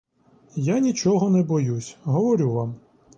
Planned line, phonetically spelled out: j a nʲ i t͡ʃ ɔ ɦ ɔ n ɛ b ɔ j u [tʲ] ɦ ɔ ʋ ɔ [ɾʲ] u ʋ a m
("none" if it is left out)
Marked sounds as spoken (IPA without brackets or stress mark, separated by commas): sʲ, ɾʲ